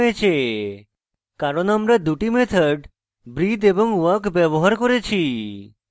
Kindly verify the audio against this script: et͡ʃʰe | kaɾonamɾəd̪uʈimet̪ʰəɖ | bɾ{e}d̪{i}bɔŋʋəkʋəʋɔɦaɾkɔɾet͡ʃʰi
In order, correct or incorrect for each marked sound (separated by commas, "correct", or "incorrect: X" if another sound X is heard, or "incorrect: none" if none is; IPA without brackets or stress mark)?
incorrect: i, incorrect: e